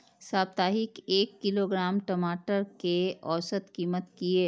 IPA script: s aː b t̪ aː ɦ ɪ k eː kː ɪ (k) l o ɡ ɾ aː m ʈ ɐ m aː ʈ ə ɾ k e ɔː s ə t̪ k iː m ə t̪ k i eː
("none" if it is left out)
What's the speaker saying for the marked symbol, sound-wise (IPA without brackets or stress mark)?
none